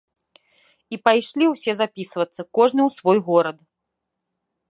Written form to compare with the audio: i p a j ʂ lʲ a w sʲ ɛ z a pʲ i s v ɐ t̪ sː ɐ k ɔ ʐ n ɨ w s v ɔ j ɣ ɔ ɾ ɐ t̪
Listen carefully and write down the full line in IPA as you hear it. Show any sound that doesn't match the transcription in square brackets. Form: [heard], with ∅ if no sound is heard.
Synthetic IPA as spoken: i p a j ʂ lʲ [i] w sʲ ɛ z a pʲ i s v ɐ t̪ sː ɐ k ɔ ʐ n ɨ w s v ɔ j ɣ ɔ ɾ ɐ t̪